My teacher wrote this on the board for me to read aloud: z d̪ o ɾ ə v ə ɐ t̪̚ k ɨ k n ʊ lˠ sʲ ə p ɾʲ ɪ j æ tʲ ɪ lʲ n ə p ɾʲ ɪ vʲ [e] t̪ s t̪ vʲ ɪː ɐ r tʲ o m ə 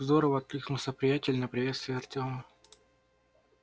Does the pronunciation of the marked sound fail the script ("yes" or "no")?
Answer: no